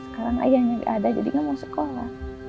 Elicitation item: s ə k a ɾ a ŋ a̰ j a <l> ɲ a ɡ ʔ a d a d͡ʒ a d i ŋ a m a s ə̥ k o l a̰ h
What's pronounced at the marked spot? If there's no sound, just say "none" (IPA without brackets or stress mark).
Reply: none